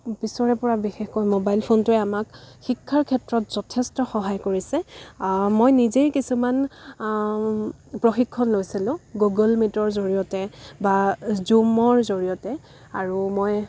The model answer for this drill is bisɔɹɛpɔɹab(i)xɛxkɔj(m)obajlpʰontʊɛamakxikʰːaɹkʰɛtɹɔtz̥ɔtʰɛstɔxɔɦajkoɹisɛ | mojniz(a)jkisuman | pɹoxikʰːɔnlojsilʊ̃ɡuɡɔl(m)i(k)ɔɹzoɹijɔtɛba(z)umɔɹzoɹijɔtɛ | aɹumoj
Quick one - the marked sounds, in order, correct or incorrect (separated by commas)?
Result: correct, correct, incorrect, correct, incorrect, correct